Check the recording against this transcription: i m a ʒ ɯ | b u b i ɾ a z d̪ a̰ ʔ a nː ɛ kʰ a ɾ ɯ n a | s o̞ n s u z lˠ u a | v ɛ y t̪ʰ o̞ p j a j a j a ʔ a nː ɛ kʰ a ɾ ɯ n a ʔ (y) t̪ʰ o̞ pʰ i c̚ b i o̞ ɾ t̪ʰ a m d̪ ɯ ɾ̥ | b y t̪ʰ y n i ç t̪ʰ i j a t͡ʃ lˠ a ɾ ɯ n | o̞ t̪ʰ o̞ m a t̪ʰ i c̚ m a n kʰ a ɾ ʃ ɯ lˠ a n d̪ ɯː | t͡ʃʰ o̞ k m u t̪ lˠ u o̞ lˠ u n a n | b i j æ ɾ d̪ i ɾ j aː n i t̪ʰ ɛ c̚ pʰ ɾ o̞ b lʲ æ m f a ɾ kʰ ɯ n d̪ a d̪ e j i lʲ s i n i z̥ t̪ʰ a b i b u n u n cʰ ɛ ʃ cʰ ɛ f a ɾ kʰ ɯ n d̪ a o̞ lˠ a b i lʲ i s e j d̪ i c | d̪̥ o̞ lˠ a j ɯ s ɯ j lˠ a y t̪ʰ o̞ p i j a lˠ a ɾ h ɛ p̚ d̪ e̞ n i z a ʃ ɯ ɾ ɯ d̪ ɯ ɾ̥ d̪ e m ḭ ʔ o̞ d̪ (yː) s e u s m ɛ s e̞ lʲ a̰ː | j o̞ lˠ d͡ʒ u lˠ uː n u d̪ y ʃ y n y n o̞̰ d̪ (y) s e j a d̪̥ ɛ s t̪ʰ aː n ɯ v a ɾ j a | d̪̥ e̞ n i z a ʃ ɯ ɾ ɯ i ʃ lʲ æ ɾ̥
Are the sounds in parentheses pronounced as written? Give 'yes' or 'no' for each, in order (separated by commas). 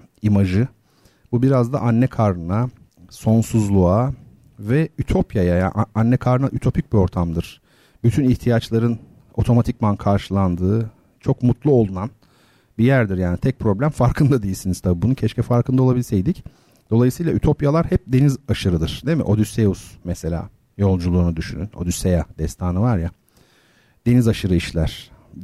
yes, no, yes